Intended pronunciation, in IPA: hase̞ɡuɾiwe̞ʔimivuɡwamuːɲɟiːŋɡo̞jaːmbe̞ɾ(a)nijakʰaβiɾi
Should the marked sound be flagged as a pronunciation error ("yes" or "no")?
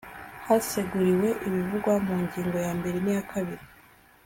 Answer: yes